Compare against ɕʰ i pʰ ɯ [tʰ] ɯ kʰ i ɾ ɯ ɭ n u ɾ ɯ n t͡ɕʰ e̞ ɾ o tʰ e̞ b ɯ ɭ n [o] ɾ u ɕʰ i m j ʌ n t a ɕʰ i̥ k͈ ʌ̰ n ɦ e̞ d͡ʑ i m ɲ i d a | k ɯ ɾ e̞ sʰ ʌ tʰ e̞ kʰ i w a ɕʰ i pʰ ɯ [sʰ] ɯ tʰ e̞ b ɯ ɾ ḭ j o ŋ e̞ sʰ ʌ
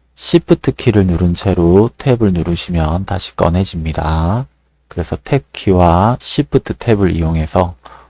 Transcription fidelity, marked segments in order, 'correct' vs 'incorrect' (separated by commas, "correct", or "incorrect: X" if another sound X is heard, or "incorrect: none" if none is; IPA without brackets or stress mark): correct, incorrect: u, incorrect: tʰ